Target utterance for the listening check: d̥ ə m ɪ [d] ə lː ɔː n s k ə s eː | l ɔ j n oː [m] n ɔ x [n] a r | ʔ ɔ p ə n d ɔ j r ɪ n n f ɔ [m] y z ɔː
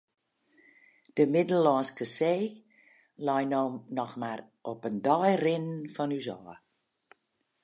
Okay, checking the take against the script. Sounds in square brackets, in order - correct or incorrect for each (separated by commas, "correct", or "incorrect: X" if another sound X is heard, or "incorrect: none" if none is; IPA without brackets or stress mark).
correct, correct, incorrect: m, incorrect: n